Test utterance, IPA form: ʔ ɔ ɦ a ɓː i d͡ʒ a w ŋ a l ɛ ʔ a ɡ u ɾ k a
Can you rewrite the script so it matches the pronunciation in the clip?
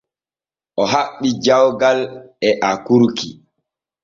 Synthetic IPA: ʔ ɔ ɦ a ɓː i d͡ʒ a w ɡ a l ɛ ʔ a k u ɾ k i